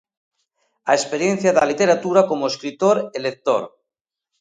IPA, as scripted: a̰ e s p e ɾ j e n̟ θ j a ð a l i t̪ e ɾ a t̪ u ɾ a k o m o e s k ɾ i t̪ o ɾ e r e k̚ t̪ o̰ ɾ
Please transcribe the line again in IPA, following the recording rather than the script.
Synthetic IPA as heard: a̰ e s p e ɾ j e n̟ θ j a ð a l i t̪ e ɾ a t̪ u ɾ a k o m o e s k ɾ i t̪ o ɾ e l e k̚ t̪ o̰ ɾ